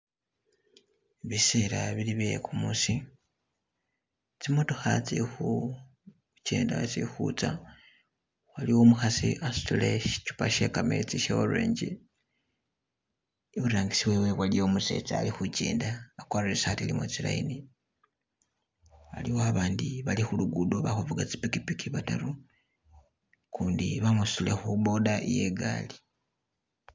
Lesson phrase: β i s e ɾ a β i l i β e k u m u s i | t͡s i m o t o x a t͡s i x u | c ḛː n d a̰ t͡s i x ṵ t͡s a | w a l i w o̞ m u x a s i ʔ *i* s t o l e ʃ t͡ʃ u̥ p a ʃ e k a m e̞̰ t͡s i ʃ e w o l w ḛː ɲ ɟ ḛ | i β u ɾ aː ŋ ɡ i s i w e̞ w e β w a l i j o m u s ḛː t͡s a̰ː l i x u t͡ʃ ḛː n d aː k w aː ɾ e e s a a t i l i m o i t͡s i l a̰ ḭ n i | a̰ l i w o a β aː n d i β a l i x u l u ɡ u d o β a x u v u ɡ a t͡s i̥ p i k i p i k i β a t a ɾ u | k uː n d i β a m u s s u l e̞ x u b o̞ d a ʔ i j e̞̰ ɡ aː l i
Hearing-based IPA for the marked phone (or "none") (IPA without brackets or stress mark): a